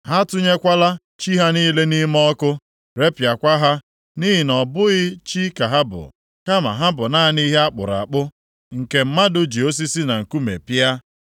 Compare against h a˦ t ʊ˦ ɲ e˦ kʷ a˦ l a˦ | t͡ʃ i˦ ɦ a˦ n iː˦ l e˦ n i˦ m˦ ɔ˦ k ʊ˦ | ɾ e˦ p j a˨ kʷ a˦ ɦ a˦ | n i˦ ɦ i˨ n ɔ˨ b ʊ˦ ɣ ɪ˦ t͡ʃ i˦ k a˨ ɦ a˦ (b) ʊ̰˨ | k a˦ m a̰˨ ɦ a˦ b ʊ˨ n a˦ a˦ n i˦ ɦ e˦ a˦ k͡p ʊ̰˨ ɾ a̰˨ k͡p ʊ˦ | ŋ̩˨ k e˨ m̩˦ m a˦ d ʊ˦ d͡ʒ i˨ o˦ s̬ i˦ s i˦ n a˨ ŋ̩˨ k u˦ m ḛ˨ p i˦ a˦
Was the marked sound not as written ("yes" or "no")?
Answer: no